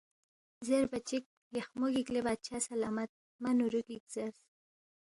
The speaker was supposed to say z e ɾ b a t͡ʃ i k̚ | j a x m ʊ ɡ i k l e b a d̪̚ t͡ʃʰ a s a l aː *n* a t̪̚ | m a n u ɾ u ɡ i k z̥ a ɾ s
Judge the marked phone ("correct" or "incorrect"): incorrect